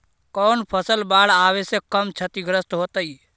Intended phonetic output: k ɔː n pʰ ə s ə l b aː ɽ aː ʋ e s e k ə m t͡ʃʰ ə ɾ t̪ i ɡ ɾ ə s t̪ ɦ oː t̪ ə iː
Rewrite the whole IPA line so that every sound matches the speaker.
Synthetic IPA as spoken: k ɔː n pʰ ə s ə l b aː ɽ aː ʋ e s e k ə m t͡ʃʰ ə t̪ i ɡ ɾ ə s t̪ ɦ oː t̪ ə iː